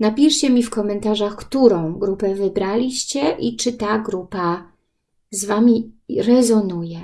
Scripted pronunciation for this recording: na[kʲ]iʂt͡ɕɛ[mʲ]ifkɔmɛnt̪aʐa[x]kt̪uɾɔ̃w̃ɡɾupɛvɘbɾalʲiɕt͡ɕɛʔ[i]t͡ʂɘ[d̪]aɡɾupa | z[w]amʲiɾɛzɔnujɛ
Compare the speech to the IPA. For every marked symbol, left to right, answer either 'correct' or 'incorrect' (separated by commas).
incorrect, correct, correct, correct, incorrect, incorrect